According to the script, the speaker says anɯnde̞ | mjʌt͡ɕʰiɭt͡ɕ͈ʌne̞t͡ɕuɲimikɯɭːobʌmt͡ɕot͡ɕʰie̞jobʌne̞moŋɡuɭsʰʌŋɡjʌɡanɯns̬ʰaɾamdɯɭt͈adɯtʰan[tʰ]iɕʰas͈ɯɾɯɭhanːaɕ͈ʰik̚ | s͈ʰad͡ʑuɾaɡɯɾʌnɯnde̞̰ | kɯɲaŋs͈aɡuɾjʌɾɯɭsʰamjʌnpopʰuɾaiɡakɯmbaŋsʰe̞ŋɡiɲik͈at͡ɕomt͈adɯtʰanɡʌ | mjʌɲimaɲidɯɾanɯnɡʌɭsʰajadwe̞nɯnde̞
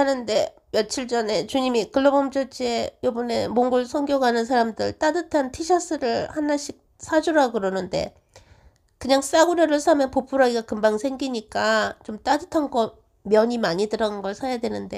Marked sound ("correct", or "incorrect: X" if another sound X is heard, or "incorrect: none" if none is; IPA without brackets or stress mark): correct